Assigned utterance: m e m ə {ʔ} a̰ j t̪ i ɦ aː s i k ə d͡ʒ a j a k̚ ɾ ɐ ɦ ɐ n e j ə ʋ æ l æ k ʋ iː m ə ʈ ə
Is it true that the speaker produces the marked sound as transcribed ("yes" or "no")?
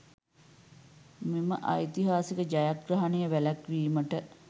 yes